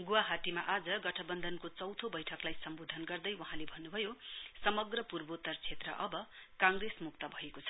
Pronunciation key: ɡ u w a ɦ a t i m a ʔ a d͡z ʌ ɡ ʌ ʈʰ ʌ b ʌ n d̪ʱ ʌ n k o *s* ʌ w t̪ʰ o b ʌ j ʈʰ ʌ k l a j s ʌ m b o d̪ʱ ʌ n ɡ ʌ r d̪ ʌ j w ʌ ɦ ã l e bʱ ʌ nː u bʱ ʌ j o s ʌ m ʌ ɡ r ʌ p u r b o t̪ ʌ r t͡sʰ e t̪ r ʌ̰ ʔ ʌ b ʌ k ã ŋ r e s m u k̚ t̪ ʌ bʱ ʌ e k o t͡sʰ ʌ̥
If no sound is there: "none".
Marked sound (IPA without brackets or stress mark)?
t͡s